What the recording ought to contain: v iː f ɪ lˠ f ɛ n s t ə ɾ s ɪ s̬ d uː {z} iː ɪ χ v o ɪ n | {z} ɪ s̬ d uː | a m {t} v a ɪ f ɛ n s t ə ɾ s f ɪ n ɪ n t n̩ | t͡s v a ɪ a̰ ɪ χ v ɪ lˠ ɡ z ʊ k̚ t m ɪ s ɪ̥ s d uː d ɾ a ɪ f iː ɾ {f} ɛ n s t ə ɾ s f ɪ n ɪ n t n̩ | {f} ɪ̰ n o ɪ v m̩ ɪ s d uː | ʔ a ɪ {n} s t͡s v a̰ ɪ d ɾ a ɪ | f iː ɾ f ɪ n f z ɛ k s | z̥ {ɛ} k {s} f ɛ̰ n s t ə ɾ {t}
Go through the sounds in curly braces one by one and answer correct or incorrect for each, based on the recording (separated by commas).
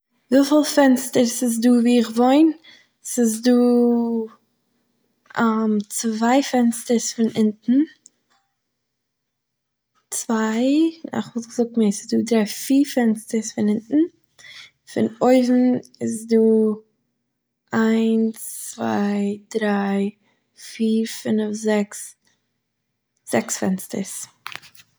incorrect, incorrect, incorrect, correct, correct, correct, correct, correct, incorrect